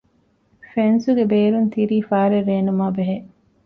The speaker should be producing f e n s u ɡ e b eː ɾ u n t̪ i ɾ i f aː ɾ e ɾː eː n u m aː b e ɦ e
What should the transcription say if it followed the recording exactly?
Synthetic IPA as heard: f e n s u ɡ e b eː ɾ u n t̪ i ɾ iː f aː ɾ e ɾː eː n u m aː b e ɦ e